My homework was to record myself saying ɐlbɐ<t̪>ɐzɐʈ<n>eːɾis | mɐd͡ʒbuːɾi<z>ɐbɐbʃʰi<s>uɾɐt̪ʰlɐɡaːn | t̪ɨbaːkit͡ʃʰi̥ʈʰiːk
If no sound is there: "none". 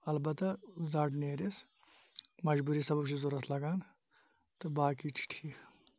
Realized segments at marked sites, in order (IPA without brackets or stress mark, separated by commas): t̪, n, s, z